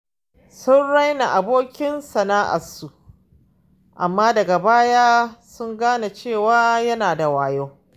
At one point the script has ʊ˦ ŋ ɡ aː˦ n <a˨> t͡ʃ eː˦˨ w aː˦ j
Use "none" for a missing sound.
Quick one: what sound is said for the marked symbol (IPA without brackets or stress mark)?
a˨